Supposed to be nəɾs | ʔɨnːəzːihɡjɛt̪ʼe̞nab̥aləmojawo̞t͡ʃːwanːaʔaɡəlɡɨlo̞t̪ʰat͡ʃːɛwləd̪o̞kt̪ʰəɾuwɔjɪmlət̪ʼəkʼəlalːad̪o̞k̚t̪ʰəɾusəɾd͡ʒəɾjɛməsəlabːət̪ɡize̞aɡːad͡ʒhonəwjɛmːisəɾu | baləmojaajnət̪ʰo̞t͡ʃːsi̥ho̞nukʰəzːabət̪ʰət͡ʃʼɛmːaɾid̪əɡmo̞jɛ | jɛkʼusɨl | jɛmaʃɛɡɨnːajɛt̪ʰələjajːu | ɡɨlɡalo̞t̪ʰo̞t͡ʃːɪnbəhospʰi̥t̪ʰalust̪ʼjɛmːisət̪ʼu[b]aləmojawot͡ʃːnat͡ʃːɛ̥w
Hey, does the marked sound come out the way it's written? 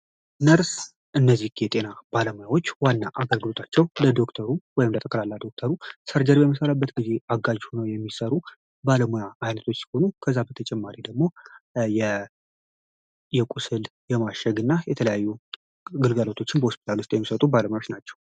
yes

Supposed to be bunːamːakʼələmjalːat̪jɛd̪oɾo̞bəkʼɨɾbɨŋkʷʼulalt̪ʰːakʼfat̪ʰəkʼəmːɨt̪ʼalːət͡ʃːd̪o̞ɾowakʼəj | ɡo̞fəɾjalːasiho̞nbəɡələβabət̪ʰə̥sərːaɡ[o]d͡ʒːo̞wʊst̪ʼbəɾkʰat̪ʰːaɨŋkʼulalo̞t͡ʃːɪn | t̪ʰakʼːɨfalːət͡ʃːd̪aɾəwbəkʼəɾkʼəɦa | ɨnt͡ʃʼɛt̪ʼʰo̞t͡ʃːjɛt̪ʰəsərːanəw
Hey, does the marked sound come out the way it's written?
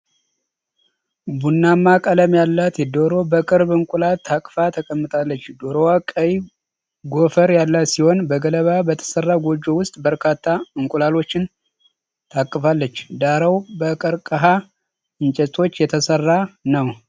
yes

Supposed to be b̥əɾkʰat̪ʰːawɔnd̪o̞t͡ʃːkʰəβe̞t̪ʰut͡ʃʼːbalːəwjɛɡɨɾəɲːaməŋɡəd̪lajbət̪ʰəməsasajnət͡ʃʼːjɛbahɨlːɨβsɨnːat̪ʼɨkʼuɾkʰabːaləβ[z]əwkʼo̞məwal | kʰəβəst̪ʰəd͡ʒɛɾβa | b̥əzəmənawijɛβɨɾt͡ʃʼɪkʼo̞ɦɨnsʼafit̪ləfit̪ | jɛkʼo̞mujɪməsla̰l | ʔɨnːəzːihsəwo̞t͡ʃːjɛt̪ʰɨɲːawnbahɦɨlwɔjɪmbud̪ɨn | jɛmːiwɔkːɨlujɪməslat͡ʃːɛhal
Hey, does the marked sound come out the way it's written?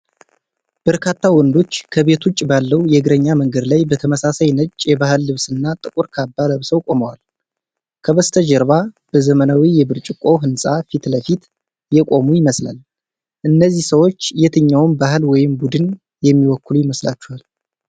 no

